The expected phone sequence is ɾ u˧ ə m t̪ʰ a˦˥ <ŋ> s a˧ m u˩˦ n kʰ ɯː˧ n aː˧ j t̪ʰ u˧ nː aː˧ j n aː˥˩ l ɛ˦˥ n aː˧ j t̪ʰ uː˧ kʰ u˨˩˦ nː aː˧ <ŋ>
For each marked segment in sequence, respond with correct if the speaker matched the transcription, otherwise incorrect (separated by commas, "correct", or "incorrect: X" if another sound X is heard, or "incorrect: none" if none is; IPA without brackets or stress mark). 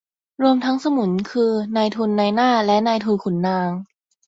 correct, correct